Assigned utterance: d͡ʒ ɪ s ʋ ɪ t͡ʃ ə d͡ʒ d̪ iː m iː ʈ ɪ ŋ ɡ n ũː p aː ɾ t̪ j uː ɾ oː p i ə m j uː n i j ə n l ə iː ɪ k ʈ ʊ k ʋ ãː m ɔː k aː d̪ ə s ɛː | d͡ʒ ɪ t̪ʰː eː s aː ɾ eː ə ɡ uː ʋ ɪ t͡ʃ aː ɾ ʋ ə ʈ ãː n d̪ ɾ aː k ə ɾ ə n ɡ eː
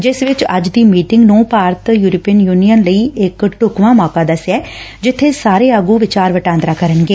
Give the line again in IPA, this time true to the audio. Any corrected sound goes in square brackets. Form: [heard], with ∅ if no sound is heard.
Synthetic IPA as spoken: d͡ʒ ɪ s ʋ ɪ t͡ʃ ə d͡ʒ d̪ iː m iː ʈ ɪ ŋ ɡ n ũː p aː ɾ t̪ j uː ɾ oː p i ə [n] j uː n i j ə n l ə iː ɪ k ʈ ʊ k ʋ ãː m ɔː k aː d̪ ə s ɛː | d͡ʒ ɪ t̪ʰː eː s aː ɾ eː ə ɡ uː ʋ ɪ t͡ʃ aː ɾ ʋ ə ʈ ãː n d̪ ɾ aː k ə ɾ ə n ɡ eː